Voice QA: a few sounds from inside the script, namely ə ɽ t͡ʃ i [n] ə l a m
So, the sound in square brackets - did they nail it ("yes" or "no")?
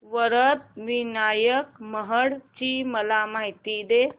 no